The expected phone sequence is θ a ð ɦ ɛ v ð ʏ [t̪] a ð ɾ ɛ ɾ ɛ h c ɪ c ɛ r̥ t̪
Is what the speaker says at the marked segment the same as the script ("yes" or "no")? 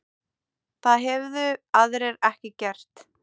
no